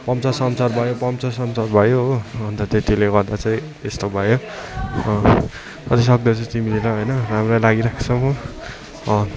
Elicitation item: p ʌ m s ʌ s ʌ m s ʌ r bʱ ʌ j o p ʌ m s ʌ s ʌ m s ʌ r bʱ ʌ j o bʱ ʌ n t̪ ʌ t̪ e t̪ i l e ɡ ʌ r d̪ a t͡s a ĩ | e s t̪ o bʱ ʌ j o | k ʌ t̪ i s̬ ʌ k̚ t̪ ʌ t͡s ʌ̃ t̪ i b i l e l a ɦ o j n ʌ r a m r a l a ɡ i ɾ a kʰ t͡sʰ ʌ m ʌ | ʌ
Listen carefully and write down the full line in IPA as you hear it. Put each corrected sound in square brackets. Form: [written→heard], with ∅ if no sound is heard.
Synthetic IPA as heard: p ʌ m [s→t͡s] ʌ s ʌ m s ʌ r bʱ ʌ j o p ʌ m [s→t͡s] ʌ s ʌ m s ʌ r bʱ ʌ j o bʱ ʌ n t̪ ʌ t̪ e t̪ i l e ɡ ʌ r d̪ a t͡s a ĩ | e s t̪ o bʱ ʌ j o | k ʌ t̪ i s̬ ʌ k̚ [t̪→d̪] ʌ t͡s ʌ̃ t̪ i [b→m] i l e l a ɦ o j n ʌ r a m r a l a ɡ i ɾ a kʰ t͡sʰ ʌ m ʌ | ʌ